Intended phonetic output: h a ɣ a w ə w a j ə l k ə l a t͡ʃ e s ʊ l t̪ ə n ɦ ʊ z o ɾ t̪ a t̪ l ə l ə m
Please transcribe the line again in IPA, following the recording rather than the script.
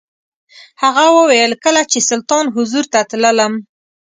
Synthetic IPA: h a ɣ a w ə w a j ə l k ə l a t͡ʃ e s ʊ l t̪ ɑ n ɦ ʊ z u ɾ t̪ a t̪ l ə l ə m